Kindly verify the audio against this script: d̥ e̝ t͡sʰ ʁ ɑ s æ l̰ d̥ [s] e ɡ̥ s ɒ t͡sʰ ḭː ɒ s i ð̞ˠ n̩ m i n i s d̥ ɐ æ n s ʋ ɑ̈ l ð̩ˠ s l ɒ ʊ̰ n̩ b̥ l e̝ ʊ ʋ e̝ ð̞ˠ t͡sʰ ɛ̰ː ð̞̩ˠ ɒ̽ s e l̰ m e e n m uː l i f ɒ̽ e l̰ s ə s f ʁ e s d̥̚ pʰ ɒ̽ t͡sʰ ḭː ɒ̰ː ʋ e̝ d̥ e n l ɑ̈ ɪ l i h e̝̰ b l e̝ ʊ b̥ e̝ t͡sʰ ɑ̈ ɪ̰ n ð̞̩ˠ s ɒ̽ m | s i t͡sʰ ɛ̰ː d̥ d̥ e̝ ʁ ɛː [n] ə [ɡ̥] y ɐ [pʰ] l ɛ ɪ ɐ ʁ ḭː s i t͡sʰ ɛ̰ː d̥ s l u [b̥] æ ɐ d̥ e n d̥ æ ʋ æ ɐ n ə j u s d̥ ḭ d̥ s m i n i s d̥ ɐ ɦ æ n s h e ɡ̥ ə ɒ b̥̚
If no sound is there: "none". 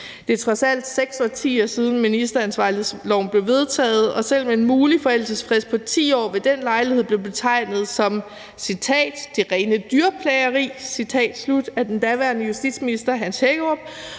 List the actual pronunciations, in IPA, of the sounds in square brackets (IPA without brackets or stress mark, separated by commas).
s, n, d̥, pʰ, d̥